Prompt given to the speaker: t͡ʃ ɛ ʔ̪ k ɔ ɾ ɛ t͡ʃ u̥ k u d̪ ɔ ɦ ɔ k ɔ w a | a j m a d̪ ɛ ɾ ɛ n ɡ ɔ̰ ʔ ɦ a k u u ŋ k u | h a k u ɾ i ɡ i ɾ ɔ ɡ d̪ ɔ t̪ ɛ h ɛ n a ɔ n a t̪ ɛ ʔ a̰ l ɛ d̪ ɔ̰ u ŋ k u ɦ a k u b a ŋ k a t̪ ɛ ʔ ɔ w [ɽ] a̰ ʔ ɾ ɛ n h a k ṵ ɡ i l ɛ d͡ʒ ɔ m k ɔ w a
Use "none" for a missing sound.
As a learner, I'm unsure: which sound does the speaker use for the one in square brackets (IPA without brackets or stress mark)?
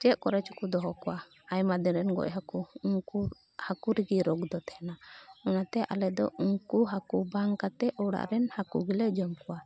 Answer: ɽ